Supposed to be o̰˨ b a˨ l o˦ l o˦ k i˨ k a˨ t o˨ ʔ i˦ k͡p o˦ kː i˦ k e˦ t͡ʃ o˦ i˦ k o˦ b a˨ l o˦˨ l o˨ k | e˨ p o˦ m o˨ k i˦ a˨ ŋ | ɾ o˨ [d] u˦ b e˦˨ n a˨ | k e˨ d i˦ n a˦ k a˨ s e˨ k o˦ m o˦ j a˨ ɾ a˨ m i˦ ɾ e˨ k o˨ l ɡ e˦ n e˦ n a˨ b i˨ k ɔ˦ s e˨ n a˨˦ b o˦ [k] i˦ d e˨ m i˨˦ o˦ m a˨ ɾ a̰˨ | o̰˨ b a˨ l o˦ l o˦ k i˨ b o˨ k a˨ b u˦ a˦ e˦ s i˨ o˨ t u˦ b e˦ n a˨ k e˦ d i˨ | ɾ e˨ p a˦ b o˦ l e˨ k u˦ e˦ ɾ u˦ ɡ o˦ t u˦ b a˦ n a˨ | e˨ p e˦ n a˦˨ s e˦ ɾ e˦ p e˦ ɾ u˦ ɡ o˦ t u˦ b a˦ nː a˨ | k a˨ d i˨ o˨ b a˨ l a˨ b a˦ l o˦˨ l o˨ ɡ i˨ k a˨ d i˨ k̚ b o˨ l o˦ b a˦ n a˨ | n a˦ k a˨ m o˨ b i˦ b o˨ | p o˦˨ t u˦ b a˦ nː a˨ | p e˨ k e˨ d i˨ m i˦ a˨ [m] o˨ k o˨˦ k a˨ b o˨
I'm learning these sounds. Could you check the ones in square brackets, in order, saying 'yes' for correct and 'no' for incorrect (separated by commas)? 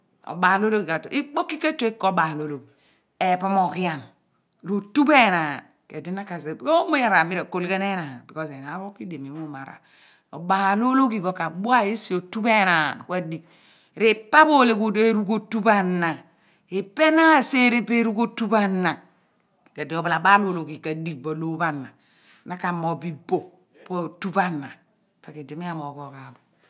no, yes, yes